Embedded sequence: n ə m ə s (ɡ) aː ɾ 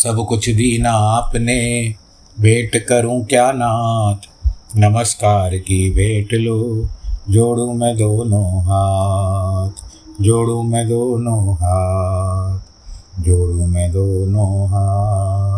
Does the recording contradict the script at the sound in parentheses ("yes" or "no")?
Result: yes